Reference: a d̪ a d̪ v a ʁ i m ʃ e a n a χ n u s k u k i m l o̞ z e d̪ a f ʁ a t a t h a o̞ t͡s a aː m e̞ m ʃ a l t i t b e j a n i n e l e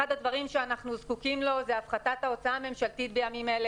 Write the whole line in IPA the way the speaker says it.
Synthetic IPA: a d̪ a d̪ v a ʁ i m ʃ e a n a χ n u z k u k i m l o̞ z e a f χ a t a t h a o̞ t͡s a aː m e̞ m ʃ a l t i t b e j a m i m e l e